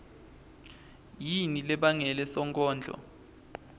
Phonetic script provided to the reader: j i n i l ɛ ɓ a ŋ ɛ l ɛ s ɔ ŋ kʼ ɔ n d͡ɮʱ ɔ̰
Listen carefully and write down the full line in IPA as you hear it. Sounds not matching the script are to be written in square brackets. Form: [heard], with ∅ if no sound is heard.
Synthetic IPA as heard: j i n i l ɛ ɓ a ŋ ɛ l ɛ s ɔ ŋ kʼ [ɔː] n d͡ɮʱ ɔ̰